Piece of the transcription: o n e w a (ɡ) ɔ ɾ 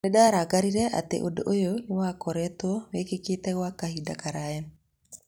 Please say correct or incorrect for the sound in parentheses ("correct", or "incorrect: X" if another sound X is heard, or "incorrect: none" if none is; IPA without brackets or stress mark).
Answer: incorrect: k